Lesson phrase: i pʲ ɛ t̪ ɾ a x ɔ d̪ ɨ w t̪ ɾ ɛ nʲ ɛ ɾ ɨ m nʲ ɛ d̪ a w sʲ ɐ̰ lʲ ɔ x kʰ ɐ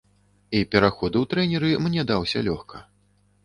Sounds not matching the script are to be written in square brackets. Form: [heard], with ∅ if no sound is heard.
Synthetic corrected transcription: i pʲ ɛ [∅] ɾ a x ɔ d̪ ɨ w t̪ ɾ ɛ nʲ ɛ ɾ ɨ m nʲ ɛ d̪ a w sʲ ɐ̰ lʲ ɔ x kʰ ɐ